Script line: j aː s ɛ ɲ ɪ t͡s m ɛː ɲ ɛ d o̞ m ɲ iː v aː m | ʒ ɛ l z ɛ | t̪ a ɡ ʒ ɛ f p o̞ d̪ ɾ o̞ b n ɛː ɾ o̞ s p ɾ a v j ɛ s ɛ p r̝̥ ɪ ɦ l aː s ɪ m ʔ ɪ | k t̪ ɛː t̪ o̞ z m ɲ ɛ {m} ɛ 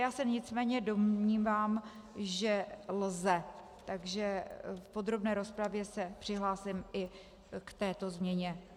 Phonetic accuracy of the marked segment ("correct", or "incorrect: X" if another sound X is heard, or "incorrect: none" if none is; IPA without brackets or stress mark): incorrect: ɲ